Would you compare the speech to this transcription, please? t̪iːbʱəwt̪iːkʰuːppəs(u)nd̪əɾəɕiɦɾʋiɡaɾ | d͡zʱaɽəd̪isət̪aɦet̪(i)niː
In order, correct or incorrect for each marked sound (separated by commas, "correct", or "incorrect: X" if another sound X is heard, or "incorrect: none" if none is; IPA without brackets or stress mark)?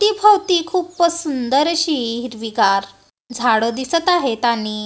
correct, incorrect: a